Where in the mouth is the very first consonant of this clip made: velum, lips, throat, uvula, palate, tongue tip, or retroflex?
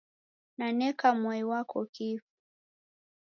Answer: tongue tip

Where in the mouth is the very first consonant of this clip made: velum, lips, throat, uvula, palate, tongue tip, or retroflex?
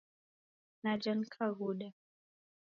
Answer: tongue tip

